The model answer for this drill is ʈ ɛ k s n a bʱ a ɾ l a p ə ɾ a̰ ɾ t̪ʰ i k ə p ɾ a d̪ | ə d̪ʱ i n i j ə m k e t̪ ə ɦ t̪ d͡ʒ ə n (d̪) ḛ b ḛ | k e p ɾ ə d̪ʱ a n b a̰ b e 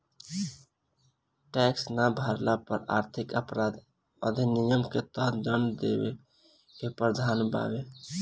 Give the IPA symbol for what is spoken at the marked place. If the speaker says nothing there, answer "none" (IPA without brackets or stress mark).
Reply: d̪